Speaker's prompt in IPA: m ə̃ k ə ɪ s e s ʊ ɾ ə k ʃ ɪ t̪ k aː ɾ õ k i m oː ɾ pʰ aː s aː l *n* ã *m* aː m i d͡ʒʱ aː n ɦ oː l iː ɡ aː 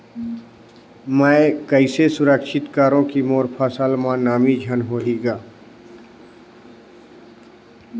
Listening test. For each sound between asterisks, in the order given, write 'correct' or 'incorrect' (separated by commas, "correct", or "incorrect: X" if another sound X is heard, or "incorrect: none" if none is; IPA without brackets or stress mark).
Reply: incorrect: m, incorrect: n